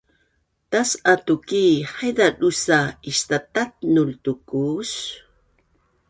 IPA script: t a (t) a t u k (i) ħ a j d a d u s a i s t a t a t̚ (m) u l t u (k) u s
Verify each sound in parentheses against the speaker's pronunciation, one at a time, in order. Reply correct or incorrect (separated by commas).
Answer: incorrect, correct, incorrect, correct